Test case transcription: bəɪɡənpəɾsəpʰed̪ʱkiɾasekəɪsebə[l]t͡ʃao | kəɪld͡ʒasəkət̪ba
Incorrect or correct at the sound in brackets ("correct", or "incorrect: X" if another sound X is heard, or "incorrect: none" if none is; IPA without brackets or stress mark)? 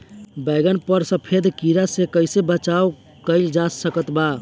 incorrect: none